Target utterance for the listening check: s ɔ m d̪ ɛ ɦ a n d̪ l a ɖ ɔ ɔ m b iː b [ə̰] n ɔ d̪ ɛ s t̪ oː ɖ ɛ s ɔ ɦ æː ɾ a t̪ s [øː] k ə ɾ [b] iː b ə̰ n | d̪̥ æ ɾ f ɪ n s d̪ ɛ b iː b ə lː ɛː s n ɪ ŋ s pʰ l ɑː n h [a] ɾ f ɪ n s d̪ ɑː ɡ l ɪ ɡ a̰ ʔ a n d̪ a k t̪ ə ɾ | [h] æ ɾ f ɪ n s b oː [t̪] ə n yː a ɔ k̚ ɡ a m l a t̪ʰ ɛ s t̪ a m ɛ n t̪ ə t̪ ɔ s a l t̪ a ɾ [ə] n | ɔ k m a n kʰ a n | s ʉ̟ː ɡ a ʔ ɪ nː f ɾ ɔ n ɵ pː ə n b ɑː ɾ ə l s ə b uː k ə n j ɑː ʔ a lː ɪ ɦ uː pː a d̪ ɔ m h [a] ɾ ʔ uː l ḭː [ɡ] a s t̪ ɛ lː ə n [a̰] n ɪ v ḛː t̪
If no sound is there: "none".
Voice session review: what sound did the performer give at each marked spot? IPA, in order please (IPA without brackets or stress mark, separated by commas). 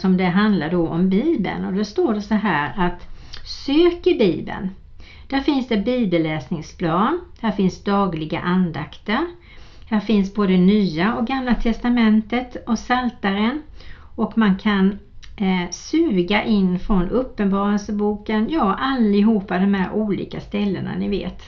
ə̰, øː, b, æ, h, d̪, ə, æ, k, a̰